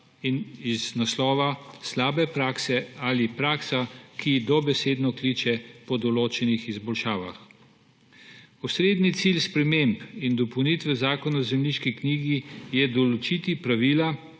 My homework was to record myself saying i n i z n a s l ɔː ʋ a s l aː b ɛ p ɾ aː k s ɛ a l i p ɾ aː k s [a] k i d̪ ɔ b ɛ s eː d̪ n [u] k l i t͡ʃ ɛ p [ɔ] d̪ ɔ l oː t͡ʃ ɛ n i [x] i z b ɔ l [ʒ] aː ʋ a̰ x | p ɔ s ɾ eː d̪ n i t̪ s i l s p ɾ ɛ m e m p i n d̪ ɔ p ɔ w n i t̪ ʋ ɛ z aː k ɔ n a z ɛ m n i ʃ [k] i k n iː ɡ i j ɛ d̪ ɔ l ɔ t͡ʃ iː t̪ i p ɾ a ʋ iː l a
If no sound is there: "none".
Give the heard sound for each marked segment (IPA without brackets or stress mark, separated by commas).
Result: a, ɔ, ɔ, x, ʃ, k